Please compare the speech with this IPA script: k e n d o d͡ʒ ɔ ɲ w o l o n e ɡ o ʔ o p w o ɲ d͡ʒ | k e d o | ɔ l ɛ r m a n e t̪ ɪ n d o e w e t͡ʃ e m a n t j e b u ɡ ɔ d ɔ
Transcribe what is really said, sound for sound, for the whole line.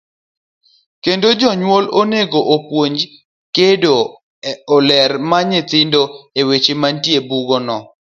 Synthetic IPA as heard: k e n d o d͡ʒ ɔ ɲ w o l o n e ɡ o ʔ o p w o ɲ d͡ʒ | k e d o | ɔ l ɛ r m a ɲ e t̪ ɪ n d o e w e t͡ʃ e m a n t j e b u ɡ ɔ n ɔ